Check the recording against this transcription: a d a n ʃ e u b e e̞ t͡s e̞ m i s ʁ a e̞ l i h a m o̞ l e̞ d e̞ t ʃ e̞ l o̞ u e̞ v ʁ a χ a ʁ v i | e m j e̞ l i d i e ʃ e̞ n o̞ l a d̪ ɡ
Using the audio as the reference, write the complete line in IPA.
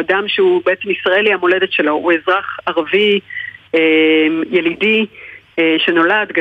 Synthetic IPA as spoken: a d a m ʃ e u b e e̞ t͡s e̞ m i s ʁ a e̞ l i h a m o̞ l e̞ d e̞ t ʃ e̞ l o̞ u e̞ z ʁ a χ a ʁ v i | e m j e̞ l i d i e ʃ e̞ n o̞ l a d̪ ɡ